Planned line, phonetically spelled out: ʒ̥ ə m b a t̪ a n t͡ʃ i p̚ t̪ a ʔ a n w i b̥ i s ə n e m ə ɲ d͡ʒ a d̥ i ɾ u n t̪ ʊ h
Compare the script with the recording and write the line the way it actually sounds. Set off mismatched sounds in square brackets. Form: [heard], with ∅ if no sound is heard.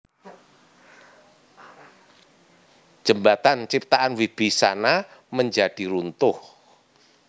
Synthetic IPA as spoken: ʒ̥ ə m b a t̪ a n t͡ʃ i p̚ t̪ a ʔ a n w i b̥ i s [a] n [a] m ə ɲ d͡ʒ a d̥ i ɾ u n t̪ ʊ h